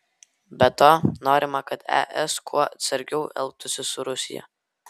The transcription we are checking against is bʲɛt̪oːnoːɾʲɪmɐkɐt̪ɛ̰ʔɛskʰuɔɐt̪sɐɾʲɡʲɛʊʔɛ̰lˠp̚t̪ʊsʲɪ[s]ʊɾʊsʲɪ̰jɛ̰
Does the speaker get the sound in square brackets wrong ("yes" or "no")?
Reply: no